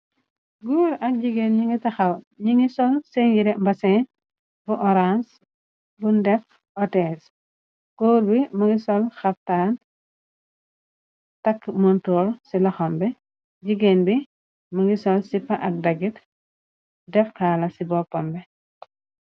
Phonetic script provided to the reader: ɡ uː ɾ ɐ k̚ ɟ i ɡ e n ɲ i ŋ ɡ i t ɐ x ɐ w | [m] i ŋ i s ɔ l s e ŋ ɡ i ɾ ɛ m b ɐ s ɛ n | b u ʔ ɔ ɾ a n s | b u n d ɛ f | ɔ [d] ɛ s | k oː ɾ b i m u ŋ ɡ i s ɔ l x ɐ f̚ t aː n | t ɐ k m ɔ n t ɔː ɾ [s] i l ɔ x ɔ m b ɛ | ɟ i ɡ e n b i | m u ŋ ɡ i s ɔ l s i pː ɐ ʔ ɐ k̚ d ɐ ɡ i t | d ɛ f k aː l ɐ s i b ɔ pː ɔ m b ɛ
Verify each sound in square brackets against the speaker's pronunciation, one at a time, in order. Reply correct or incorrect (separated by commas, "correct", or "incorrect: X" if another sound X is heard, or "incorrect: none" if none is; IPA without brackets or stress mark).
incorrect: ɲ, incorrect: t, correct